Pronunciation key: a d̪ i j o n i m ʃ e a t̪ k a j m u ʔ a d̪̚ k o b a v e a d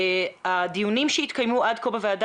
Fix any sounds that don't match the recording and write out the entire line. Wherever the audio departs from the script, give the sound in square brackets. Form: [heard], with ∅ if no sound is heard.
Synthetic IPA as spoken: a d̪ i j [u] n i m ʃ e [i] t̪ k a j m u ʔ a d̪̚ k o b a v e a d